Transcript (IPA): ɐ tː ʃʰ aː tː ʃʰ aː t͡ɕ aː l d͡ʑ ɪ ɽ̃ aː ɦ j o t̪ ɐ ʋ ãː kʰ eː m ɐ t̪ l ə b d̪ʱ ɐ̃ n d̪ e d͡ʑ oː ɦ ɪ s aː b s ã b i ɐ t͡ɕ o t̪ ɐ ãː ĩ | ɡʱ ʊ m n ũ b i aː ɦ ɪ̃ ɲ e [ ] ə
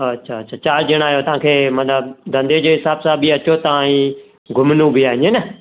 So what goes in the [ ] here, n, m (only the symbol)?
n